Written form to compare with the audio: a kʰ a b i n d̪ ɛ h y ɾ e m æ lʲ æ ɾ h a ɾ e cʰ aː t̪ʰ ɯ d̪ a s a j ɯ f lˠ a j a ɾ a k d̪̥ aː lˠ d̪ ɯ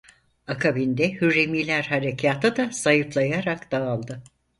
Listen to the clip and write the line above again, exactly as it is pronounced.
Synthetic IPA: a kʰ a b i n d̪ ɛ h y ɾ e m i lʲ æ ɾ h a ɾ e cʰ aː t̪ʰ ɯ d̪ a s a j ɯ f lˠ a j a ɾ a k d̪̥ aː lˠ d̪ ɯ